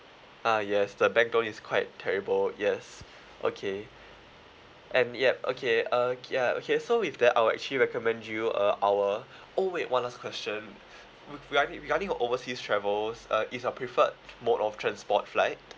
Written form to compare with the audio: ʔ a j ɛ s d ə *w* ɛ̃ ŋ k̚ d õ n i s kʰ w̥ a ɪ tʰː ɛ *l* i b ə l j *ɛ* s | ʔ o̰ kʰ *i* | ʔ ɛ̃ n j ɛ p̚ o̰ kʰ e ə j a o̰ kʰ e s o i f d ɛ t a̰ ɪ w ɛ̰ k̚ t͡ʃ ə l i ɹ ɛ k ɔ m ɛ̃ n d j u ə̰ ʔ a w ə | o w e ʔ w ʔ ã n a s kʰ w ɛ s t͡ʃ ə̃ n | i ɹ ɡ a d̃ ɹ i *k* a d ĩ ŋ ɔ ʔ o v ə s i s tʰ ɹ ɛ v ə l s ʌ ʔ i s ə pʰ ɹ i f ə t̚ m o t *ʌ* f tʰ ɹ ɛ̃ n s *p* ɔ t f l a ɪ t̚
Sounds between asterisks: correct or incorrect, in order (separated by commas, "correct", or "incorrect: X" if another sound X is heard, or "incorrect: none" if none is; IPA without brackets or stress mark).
incorrect: b, incorrect: ɹ, correct, incorrect: e, incorrect: ɡ, incorrect: ɔ, correct